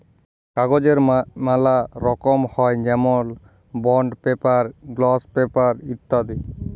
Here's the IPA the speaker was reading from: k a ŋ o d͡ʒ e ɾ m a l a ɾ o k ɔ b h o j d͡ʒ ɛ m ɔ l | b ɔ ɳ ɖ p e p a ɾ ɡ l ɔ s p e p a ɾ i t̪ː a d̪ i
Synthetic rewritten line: k a ɡ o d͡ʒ e ɾ m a l a ɾ ɔ k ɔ m h ɔ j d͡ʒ ɛ m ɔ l | b ɔ ɳ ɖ p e p a ɾ ɡ l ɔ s p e p a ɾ i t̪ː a d̪ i